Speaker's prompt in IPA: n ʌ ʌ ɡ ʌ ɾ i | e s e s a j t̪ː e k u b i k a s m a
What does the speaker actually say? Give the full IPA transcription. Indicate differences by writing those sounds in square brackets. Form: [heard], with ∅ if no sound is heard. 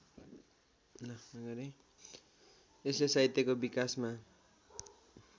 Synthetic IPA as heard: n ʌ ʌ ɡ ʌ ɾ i | e s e s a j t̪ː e k [o] b i k a s m a